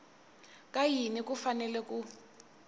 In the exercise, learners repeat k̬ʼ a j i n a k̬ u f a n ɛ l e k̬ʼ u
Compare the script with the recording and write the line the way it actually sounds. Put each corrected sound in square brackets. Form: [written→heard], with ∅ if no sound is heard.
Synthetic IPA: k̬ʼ a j i n [a→i] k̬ u f a n ɛ l [e→ɛ] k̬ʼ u

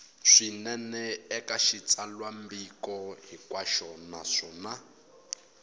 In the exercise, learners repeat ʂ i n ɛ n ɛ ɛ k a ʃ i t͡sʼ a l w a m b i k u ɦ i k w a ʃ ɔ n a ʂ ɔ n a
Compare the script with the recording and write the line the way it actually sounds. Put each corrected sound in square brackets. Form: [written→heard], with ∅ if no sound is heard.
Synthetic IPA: ʂ i n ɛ n ɛ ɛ k a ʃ i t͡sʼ a l w a m b i k [u→ɔ] ɦ i k w a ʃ ɔ n a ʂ ɔ n a

